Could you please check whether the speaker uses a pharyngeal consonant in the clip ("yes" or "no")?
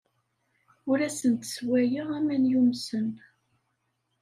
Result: no